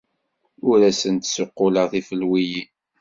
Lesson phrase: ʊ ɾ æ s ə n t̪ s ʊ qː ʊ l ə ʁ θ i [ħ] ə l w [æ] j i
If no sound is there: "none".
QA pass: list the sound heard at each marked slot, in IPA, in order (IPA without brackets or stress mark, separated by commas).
f, i